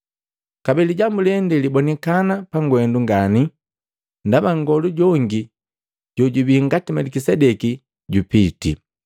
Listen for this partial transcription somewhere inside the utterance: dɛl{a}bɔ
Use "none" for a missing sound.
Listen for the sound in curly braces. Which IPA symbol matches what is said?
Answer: i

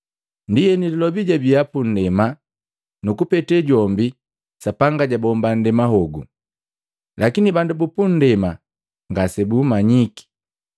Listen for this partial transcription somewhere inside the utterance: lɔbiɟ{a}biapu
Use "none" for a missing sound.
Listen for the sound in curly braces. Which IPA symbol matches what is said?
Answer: a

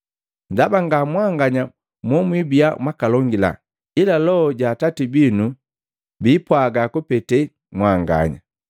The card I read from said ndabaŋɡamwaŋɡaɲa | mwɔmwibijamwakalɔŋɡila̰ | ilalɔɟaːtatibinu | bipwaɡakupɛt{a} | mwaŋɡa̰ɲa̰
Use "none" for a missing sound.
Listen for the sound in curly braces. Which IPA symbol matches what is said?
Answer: ɛ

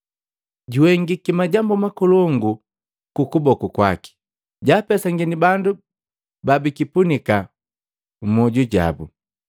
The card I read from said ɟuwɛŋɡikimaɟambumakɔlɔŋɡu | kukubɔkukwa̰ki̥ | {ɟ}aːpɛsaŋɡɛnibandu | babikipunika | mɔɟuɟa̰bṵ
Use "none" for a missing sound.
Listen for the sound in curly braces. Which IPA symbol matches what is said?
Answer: ɟ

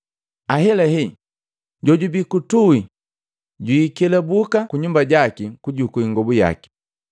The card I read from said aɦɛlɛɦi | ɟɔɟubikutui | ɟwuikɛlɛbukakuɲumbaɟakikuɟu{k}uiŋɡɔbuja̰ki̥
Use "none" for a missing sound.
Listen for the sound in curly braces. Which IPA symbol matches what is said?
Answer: k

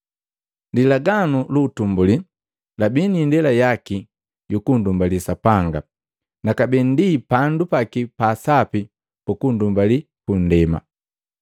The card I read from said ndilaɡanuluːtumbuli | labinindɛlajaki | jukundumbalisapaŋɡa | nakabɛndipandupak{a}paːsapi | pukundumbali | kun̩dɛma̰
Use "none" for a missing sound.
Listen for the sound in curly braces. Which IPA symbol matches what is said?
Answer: i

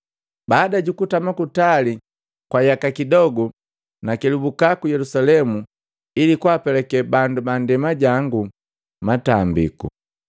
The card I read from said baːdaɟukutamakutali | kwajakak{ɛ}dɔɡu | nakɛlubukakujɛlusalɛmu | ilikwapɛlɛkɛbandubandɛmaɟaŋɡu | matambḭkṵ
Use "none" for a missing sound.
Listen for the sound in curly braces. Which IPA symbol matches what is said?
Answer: i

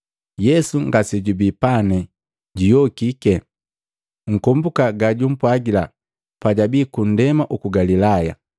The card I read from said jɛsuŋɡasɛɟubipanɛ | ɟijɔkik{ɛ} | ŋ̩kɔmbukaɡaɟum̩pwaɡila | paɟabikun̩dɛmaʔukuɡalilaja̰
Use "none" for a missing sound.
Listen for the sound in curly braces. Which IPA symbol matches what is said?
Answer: ɛ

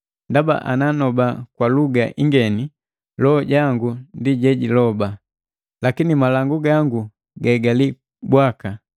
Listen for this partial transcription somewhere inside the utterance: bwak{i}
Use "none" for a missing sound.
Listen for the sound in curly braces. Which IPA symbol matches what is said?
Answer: a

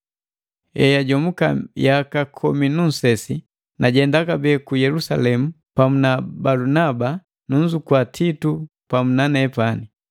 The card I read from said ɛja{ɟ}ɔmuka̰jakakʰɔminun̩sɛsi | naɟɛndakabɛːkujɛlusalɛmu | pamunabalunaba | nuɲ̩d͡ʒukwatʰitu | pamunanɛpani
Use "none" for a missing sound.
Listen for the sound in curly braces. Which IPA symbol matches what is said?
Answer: ɟ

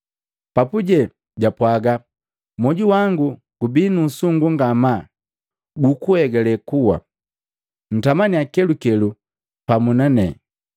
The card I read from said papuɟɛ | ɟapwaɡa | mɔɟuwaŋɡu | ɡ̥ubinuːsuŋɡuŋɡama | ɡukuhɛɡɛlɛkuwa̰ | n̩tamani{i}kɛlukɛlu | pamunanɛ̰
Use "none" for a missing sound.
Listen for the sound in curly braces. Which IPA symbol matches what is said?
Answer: a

